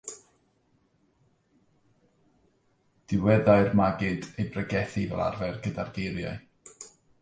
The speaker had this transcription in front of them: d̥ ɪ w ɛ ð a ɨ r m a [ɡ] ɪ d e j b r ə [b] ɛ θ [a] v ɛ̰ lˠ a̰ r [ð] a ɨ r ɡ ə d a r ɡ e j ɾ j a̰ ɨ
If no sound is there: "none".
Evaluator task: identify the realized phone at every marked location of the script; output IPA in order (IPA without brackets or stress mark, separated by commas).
ɡ, ɡ, i, v